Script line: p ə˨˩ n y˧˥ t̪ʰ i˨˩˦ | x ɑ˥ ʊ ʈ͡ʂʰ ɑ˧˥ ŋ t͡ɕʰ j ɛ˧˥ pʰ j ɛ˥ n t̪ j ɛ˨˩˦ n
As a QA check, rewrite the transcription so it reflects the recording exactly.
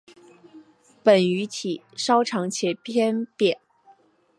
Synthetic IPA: p ə˨˩ n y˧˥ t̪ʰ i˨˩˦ | ʂ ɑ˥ ʊ ʈ͡ʂʰ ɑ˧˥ ŋ t͡ɕʰ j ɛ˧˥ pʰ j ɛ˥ n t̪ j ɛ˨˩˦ n